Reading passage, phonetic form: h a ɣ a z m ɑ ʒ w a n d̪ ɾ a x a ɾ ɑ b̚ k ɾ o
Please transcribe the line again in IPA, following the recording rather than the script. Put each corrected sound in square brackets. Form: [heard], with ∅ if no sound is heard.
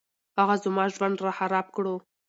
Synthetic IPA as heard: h a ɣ a z m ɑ ʒ w a n d̪ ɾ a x a ɾ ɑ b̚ k [ɽ] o